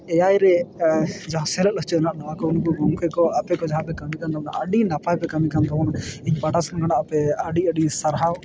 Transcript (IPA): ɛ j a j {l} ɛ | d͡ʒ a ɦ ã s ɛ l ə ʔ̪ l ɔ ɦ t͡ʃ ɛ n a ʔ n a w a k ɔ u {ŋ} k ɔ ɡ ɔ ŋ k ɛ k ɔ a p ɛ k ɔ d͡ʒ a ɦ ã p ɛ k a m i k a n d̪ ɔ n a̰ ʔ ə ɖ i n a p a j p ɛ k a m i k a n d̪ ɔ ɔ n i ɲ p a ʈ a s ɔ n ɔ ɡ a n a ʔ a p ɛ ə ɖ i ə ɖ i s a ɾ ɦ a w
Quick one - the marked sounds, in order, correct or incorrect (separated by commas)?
incorrect, incorrect